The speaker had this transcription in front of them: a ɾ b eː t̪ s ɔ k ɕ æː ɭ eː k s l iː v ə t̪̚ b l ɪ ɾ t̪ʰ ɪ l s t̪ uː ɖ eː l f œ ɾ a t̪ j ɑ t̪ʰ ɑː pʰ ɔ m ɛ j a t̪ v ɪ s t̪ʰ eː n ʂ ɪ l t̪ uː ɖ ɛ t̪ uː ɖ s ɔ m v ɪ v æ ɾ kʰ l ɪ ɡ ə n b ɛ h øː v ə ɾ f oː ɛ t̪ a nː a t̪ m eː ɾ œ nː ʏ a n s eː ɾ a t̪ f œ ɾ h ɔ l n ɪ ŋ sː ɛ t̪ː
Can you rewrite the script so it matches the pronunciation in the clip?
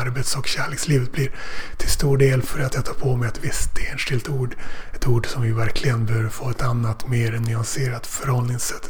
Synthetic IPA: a ɾ b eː t̪ s ɔ k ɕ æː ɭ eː k s l iː v ə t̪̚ b l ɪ ɾ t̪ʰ ɪ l s t̪ uː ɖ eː l f œ ɾ a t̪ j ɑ t̪ʰ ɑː pʰ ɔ m ɛ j a t̪ v ɪ s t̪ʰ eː n ʂ ɪ l t̪ uː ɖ ɛ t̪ uː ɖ s ɔ m v ɪ v æ ɾ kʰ l ɪ ɡ ə n b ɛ h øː v ə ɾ f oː ɛ t̪ a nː a t̪ m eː ɾ ɛ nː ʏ a n s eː ɾ a t̪ f œ ɾ h ɔ l n ɪ ŋ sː ɛ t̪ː